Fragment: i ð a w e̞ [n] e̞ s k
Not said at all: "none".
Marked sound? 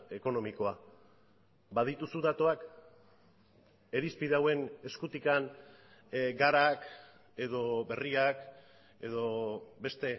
n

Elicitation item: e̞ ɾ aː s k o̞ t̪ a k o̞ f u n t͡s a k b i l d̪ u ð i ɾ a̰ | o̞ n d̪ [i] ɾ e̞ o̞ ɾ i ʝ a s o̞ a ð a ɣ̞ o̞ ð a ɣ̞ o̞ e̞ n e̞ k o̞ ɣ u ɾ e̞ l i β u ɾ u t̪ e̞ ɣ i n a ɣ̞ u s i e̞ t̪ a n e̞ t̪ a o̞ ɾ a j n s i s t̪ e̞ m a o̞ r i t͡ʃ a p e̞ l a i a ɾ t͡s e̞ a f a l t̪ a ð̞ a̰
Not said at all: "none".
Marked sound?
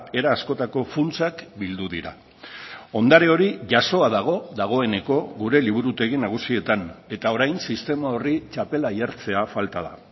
a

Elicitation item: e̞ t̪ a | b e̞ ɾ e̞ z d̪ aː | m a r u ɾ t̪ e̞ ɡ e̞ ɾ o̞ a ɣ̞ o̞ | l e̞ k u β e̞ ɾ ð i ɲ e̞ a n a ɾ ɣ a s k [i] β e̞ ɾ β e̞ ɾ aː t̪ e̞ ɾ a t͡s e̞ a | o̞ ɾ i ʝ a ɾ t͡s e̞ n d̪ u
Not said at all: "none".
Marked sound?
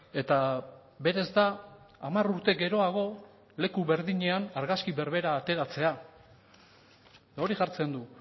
i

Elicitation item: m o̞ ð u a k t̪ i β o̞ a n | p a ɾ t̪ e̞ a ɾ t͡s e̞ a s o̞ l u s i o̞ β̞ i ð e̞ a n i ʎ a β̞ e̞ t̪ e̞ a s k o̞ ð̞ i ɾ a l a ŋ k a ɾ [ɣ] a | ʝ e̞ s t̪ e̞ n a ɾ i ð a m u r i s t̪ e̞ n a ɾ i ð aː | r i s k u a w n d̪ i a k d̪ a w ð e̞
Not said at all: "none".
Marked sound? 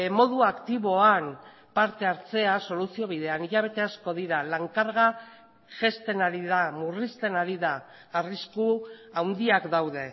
ɣ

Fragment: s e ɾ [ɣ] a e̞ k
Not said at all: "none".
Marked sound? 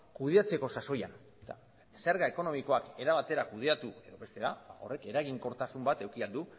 ɣ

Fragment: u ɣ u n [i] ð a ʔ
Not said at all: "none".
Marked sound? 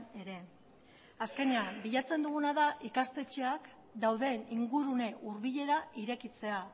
a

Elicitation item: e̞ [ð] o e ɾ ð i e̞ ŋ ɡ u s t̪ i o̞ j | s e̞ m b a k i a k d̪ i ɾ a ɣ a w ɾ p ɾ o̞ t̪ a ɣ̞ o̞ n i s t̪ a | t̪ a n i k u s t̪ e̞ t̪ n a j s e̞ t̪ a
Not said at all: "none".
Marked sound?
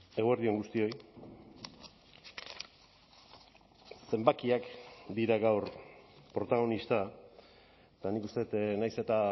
ɣ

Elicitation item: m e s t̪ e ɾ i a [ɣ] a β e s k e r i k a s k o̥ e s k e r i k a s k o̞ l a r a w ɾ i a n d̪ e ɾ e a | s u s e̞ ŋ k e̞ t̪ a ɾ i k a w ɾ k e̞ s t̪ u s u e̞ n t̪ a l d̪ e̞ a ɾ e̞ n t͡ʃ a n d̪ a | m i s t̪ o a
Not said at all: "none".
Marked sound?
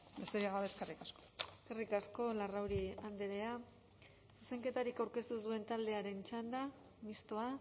ɣ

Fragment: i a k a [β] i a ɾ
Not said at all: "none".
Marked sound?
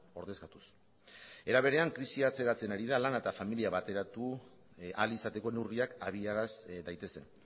β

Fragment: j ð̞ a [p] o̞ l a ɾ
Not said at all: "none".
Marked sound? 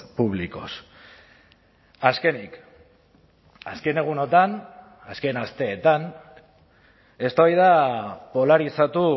p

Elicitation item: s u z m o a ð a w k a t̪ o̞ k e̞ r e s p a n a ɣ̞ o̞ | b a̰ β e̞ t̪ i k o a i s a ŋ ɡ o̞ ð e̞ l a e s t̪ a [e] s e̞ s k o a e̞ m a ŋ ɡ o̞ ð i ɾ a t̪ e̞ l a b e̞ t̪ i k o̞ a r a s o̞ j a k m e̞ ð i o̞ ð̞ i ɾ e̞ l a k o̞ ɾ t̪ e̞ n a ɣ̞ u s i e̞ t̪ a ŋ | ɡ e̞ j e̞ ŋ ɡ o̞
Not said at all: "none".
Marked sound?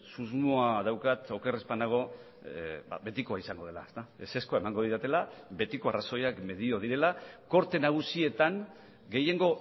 e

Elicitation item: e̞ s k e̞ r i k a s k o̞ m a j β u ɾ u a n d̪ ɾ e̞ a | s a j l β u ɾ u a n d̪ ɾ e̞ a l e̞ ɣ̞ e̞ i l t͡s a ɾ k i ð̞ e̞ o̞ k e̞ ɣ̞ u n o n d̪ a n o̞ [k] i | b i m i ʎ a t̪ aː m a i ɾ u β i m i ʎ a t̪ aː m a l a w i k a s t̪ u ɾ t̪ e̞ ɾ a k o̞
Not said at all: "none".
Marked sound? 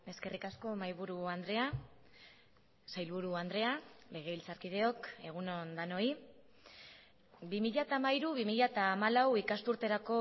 none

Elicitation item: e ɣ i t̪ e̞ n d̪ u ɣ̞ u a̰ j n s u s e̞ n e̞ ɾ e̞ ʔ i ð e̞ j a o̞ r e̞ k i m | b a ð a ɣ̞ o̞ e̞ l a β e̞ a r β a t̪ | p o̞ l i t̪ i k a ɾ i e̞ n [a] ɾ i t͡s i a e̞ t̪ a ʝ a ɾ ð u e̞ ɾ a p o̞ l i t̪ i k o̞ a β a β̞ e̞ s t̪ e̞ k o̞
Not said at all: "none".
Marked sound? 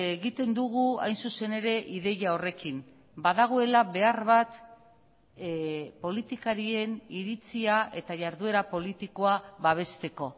i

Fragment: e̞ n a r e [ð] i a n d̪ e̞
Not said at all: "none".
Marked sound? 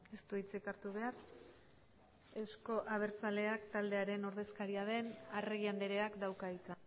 ɣ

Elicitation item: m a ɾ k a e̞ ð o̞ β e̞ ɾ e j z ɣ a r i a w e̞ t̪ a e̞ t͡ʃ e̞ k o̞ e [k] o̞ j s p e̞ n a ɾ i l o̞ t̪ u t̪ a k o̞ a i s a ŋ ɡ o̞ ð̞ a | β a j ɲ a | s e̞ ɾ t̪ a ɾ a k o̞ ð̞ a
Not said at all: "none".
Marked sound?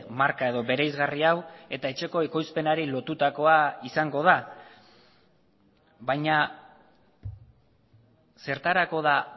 k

